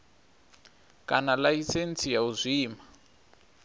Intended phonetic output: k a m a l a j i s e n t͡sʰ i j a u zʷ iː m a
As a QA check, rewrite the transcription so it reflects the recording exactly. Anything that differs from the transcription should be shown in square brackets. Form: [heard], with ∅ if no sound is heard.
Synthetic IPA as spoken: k a [n] a l a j i s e n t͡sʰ i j a u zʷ iː m a